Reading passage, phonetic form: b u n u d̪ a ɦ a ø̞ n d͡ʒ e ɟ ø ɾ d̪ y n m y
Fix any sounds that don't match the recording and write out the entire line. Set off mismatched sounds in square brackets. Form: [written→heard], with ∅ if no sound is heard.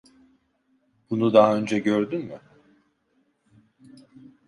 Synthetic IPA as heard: b u n u d̪ a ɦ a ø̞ n d͡ʒ [e→ɛ] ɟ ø ɾ d̪ y n m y